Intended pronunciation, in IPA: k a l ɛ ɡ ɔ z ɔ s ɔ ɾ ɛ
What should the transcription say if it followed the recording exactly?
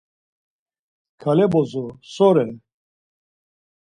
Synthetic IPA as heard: kʰ a l ɛ b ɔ z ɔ s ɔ ɾ ɛ